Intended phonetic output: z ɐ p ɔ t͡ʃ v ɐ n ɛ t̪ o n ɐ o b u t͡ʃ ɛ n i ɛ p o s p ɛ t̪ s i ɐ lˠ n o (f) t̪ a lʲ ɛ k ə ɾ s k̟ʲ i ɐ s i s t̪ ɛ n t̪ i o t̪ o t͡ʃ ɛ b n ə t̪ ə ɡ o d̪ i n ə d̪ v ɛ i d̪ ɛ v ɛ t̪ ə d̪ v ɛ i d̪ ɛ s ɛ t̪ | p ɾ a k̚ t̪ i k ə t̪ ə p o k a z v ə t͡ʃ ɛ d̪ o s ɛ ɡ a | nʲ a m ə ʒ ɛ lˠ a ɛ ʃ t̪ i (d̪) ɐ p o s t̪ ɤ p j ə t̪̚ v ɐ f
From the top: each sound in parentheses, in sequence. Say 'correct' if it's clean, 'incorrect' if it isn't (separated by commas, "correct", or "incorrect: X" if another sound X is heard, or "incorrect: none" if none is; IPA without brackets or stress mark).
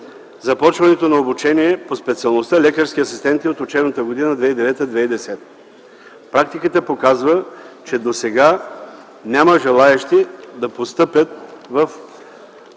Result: incorrect: s, correct